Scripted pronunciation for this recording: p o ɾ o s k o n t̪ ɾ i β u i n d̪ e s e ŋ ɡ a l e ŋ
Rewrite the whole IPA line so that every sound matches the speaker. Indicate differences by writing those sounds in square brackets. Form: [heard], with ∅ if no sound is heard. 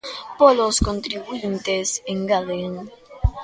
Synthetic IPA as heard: p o [l] o s k o n t̪ ɾ i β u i n [t̪] e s e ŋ ɡ a l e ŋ